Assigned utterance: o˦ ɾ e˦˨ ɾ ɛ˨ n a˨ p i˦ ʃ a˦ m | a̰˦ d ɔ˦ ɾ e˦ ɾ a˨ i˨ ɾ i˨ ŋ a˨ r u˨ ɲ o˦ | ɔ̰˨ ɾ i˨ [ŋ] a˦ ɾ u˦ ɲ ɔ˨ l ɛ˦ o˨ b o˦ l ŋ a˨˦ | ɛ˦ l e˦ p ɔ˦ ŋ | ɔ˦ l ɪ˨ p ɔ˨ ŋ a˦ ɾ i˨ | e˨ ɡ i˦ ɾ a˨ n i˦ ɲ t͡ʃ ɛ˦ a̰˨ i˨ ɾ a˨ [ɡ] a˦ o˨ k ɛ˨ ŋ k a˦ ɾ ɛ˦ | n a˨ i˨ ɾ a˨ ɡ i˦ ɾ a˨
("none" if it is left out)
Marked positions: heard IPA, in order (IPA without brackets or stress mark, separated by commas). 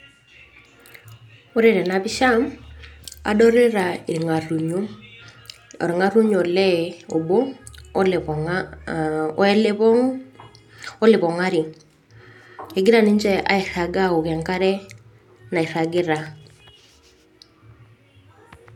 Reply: ŋ, ɡ